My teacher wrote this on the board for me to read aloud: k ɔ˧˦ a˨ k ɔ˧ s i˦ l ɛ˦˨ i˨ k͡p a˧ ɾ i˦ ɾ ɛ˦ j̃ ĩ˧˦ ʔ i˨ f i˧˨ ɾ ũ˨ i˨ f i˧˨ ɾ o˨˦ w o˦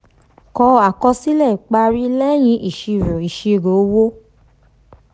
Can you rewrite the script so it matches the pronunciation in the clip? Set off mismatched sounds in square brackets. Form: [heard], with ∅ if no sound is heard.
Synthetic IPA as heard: k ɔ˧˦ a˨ k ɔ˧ s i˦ l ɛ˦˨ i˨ k͡p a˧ ɾ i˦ [l] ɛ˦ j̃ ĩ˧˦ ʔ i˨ [ʃ] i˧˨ ɾ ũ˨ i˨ [ʃ] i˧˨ ɾ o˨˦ w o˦